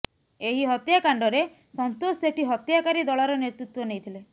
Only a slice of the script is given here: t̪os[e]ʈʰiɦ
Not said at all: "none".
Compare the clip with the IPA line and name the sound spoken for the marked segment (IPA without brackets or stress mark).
e